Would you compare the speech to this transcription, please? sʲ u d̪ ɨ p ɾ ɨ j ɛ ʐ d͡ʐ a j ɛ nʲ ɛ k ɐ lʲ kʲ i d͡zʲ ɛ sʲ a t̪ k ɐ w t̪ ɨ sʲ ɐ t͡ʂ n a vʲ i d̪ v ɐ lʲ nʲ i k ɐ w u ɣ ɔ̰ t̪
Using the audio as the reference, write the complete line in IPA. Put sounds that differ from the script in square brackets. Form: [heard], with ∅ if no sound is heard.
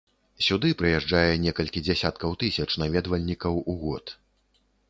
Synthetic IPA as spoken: sʲ u d̪ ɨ p ɾ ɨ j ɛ ʐ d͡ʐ a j ɛ nʲ ɛ k ɐ lʲ kʲ i d͡zʲ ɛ sʲ a t̪ k ɐ w t̪ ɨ sʲ ɐ t͡ʂ n a vʲ [ɛ] d̪ v ɐ lʲ nʲ i k ɐ w u ɣ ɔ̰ t̪